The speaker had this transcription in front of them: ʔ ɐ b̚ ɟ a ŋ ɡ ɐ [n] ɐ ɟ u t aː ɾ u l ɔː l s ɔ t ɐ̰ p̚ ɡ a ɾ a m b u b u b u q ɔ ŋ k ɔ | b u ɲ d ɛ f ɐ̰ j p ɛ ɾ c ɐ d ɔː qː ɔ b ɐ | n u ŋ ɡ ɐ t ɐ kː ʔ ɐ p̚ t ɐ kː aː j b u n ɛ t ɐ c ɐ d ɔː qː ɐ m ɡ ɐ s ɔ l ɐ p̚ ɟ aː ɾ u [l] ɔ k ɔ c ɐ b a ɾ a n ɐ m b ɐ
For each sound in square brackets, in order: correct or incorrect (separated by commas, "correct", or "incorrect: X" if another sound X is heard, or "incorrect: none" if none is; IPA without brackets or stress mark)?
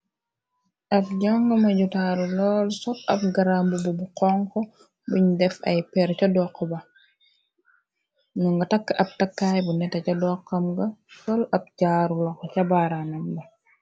incorrect: m, correct